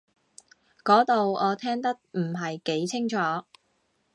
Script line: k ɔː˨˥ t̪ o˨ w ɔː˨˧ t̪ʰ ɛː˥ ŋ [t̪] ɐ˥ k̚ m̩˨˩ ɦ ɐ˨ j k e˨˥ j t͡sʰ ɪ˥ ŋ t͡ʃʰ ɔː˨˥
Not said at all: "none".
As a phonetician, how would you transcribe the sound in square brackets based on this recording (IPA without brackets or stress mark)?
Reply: t̪